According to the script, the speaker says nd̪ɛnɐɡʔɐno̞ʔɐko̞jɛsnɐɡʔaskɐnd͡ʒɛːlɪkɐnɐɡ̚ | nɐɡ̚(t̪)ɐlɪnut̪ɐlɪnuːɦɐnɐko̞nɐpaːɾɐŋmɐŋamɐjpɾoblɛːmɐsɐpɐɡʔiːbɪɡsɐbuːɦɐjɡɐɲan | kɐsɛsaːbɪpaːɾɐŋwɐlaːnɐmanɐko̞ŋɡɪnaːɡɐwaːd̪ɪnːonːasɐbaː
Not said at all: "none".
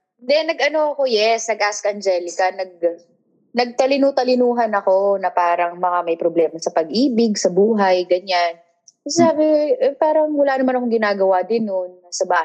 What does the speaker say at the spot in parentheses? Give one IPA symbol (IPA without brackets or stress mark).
t̪